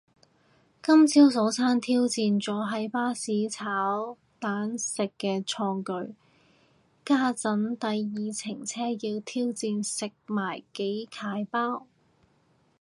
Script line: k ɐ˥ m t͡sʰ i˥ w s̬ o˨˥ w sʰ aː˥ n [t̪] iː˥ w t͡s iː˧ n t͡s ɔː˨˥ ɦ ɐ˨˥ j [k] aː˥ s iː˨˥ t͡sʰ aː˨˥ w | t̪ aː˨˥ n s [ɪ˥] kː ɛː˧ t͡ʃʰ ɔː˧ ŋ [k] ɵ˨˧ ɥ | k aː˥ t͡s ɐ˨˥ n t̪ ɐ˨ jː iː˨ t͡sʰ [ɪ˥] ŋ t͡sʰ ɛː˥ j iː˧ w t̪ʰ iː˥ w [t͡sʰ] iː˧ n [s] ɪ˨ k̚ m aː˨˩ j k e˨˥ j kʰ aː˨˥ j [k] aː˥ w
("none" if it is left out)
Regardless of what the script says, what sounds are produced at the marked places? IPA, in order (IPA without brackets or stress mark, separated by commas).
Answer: t̪ʰ, p, ɪ˨, k, ɪ˨˩, t͡s, s, p